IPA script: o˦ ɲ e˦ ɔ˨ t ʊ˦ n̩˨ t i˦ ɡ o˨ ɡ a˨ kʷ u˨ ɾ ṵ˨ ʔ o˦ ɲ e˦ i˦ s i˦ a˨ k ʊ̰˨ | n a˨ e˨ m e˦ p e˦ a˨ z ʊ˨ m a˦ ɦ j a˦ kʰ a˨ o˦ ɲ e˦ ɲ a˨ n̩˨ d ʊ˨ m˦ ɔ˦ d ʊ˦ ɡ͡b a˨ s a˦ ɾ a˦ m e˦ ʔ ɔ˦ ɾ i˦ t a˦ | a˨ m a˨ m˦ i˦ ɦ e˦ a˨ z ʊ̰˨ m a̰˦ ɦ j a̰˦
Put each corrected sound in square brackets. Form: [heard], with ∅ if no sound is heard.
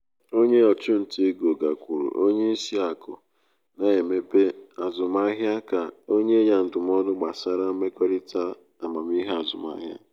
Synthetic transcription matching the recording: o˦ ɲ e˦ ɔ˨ [t͡ʃ] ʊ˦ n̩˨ t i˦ ɡ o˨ ɡ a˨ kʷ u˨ ɾ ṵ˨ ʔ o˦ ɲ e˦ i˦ s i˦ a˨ k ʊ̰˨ | n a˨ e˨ m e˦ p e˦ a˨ z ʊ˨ m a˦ ɦ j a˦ [k] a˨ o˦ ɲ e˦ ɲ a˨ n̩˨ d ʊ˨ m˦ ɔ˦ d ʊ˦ ɡ͡b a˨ s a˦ ɾ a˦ m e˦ [k] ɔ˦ ɾ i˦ t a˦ | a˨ m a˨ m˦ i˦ ɦ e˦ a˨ z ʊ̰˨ m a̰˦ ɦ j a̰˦